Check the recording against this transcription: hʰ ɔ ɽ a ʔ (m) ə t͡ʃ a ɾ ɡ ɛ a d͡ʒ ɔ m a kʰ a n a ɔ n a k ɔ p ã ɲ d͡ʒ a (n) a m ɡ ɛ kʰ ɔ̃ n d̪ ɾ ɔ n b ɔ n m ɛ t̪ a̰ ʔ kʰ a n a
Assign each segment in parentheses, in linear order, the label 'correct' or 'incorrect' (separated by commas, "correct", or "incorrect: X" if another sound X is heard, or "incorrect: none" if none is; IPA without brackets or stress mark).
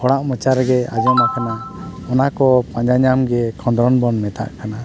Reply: correct, incorrect: ɲ